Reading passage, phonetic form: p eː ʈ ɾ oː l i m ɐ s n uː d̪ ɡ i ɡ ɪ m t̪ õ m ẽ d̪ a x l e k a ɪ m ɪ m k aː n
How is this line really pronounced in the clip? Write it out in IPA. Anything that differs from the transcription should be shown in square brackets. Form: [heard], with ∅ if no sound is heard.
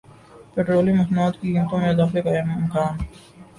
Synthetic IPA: p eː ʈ ɾ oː l i m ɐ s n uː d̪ [k] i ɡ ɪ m t̪ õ m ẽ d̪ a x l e k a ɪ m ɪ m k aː n